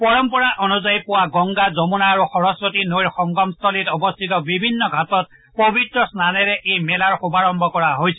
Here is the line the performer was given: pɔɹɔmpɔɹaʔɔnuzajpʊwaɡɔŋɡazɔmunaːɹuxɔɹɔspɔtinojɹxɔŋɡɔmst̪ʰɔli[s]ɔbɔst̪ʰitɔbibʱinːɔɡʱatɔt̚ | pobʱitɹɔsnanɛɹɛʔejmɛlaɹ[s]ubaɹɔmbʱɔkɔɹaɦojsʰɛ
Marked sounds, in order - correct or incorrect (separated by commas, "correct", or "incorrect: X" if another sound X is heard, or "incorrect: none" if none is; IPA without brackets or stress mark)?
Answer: incorrect: t, incorrect: x